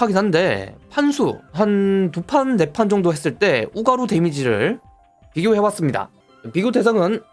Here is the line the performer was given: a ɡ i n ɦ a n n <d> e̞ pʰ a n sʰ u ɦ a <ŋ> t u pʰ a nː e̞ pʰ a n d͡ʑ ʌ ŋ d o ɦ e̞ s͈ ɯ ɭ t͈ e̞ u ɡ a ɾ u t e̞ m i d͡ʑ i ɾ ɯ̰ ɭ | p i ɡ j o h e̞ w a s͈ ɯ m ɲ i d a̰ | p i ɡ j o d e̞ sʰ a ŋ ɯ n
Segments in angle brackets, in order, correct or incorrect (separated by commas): correct, incorrect